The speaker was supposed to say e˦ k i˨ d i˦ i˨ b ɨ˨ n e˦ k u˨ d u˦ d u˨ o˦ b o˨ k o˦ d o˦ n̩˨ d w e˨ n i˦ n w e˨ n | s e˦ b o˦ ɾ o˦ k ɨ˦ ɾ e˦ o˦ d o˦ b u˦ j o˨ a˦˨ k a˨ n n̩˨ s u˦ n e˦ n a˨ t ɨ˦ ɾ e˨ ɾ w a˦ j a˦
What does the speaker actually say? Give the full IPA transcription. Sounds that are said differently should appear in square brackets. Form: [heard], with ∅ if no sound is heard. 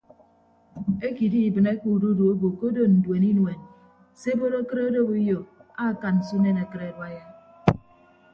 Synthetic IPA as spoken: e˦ k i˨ d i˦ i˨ b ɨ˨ n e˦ k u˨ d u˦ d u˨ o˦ b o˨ k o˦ d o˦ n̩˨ d w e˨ n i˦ n w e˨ n | s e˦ b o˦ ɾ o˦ k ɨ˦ ɾ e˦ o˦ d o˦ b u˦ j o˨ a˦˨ k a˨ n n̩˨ s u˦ n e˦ n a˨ [k] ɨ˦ ɾ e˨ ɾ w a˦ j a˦